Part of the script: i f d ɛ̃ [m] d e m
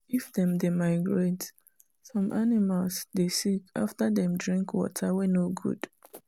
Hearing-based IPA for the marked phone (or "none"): m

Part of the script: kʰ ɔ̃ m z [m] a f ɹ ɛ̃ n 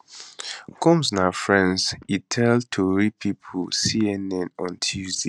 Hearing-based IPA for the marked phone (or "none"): n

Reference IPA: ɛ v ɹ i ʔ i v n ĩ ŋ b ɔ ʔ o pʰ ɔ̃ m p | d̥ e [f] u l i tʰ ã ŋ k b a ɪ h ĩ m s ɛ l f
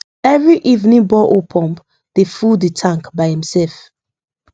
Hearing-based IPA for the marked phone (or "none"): f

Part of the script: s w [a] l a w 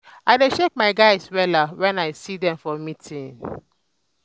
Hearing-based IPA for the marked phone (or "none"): ɛ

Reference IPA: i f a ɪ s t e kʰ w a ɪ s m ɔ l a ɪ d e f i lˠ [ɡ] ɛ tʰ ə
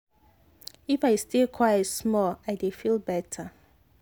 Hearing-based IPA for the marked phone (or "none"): b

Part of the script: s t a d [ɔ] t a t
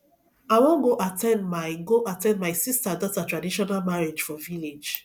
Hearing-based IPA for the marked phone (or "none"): ɔ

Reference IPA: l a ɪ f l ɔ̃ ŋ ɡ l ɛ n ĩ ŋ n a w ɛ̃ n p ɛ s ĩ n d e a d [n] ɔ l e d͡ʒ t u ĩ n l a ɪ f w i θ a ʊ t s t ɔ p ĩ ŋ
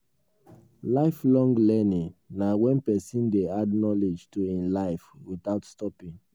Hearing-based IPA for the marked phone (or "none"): n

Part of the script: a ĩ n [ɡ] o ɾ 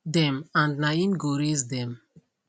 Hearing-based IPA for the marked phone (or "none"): ɡ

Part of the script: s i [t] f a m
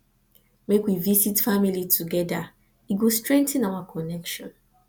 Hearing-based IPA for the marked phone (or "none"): t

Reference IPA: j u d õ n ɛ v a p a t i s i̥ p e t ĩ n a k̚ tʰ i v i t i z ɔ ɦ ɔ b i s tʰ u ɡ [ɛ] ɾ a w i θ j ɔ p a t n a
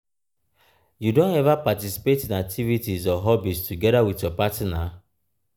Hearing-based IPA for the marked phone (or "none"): ɛ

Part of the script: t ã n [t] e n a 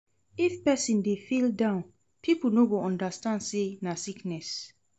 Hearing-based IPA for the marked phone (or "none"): s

